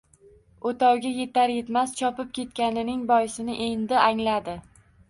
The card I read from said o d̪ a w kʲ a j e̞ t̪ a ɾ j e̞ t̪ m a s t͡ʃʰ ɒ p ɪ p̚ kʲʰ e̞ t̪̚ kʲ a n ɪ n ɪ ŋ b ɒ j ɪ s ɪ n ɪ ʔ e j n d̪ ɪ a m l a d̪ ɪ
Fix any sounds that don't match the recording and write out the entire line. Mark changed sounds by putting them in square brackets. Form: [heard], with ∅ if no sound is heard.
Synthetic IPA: o [t̪] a w [ɡʲ] a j e̞ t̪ a ɾ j e̞ t̪ m a s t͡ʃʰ ɒ p ɪ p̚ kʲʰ e̞ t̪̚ kʲ a n ɪ n ɪ ŋ b ɒ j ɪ s ɪ n ɪ ʔ e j n d̪ ɪ a [ŋ] l a d̪ ɪ